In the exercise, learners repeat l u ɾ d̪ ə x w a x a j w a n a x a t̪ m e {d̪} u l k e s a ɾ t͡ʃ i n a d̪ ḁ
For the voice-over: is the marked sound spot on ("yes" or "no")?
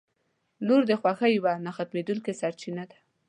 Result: yes